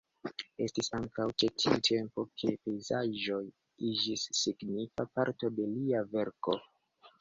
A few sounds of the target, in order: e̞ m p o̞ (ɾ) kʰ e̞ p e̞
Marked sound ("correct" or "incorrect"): incorrect